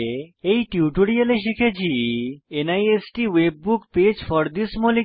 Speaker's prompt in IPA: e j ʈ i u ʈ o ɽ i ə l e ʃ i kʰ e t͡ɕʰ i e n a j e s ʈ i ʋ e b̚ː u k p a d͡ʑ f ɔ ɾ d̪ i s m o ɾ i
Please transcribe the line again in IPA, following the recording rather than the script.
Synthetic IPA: e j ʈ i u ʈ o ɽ i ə l e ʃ i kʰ e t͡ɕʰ i e n a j e s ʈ i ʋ e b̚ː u k p e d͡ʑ f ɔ ɾ d̪ i s m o l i